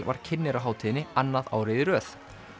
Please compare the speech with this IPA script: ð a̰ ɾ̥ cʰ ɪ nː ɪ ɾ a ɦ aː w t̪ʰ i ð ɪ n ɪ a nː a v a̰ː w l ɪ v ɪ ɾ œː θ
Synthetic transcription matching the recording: v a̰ ɾ̥ cʰ ɪ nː ɪ ɾ a ɦ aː w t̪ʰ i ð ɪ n ɪ a nː a ð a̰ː w ɾ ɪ ð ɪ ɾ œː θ